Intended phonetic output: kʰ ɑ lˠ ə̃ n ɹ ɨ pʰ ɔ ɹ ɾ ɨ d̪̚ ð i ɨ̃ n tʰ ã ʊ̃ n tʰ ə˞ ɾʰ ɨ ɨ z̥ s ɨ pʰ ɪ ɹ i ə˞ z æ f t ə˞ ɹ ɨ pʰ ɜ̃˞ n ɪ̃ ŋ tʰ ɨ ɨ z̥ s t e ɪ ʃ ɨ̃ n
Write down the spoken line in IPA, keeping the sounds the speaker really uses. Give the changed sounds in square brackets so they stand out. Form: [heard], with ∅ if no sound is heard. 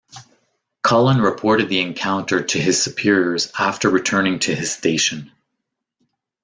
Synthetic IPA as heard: kʰ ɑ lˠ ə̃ n ɹ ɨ pʰ ɔ ɹ ɾ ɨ d̪̚ ð i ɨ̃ n [kʰ] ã ʊ̃ n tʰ ə˞ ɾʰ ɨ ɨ z̥ s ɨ pʰ ɪ ɹ i ə˞ z æ f t ə˞ ɹ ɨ [tʰ] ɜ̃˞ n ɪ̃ ŋ tʰ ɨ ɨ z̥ s t e ɪ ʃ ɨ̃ n